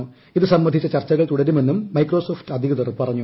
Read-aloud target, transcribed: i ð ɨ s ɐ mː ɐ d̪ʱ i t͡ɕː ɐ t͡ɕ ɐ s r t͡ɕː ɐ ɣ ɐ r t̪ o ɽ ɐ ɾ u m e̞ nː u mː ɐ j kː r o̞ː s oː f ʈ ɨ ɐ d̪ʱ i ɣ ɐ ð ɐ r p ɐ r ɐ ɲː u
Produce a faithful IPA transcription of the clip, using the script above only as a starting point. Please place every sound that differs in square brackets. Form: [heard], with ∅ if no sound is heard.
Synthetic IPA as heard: i ð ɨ s ɐ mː ɐ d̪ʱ i t͡ɕː ɐ t͡ɕ ɐ [∅] r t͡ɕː ɐ ɣ ɐ [ɭ] t̪ [u] ɽ ɐ ɾ u m e̞ nː u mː ɐ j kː r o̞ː s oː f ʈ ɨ ɐ d̪ʱ i ɣ ɐ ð ɐ r p ɐ r ɐ ɲː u